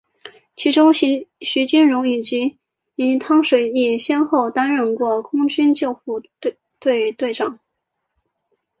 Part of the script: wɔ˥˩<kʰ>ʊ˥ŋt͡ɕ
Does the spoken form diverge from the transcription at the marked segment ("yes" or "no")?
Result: no